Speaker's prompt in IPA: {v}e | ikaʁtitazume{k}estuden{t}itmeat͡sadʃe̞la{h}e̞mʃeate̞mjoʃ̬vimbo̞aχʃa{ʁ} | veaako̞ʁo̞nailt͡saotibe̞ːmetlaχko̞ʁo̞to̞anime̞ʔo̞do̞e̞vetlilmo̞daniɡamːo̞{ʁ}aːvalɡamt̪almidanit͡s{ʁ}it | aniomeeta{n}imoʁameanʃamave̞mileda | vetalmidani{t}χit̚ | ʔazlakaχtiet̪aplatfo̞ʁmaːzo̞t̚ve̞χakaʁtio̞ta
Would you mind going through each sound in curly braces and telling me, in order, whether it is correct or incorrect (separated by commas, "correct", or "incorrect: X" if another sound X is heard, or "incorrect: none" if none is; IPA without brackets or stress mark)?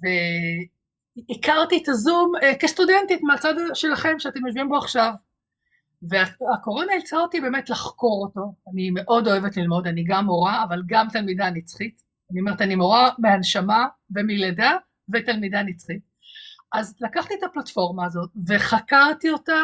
correct, correct, correct, incorrect: χ, incorrect: v, correct, incorrect: χ, correct, incorrect: t͡s